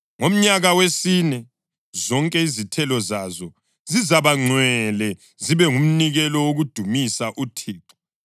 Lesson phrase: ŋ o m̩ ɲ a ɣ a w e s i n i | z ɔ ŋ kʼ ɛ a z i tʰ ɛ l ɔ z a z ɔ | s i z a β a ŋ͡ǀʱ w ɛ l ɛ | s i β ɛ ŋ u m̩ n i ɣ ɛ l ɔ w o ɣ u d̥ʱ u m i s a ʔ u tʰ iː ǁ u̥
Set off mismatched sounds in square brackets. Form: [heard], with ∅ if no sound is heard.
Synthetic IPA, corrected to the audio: ŋ o m̩ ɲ a ɣ a w e s i n [ɛ] | z ɔ ŋ kʼ ɛ [i] z i tʰ ɛ l ɔ z a z ɔ | [z] i z a β a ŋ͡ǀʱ w ɛ l ɛ | [z] i β ɛ ŋ u m̩ n i ɣ ɛ l ɔ w o ɣ u d̥ʱ u m i s a ʔ u tʰ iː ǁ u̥